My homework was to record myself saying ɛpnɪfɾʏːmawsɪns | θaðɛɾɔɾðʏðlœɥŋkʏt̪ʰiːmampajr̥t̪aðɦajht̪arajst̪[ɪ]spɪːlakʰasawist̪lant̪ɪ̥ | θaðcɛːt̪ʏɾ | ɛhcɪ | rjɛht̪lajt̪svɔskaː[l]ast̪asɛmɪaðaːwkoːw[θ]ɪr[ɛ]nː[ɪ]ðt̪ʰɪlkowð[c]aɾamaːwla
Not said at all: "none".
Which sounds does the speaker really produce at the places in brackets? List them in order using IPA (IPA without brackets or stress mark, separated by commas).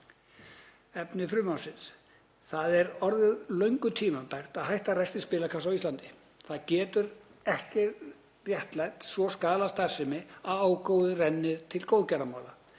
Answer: ɪ, l, ð, ɛ, ɪ, c